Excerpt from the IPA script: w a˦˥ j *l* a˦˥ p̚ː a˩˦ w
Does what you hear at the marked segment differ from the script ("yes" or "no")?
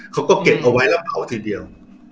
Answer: no